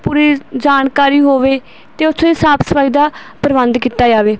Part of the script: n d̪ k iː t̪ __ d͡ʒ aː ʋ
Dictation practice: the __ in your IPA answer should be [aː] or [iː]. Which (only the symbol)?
aː